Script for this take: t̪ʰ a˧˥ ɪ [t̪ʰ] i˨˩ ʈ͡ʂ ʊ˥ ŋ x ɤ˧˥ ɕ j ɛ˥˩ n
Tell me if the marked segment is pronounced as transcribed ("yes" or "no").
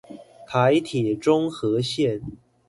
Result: yes